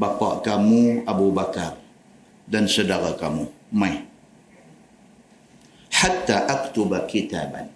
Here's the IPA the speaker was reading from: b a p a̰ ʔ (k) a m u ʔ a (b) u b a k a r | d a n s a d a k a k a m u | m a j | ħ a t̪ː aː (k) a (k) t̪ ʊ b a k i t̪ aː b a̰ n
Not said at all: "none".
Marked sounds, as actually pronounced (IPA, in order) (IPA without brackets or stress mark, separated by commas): k, b, ʔ, k